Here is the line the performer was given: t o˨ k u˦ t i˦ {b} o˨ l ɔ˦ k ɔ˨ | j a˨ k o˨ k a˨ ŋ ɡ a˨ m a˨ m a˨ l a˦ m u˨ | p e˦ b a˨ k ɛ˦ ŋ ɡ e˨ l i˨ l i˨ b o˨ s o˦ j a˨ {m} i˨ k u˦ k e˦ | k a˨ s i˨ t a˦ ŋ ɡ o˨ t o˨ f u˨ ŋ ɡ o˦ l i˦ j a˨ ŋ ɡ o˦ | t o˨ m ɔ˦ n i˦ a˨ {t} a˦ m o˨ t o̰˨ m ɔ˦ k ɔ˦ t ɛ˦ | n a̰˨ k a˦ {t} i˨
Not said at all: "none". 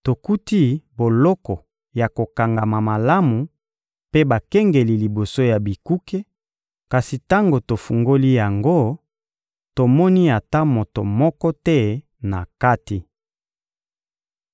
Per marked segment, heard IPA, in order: b, b, t, t

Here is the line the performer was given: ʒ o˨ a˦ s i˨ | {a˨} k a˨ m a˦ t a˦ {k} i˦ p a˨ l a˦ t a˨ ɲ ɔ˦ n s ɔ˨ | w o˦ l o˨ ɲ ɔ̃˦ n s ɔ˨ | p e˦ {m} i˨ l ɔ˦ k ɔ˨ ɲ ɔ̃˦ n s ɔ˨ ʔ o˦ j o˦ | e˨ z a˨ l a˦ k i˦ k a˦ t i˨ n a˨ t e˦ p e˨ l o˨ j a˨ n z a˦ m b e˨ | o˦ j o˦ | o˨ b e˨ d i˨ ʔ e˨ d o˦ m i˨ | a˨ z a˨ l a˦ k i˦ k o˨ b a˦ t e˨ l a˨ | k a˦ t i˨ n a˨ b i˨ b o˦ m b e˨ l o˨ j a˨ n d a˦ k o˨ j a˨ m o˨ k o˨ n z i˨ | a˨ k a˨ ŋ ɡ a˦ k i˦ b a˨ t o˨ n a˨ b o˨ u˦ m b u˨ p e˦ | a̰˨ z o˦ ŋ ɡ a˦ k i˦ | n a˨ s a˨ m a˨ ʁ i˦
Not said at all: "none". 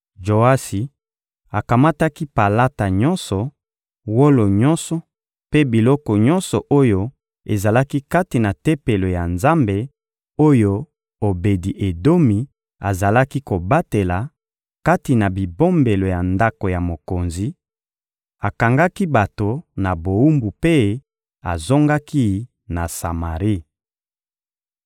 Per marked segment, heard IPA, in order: a˨, k, b

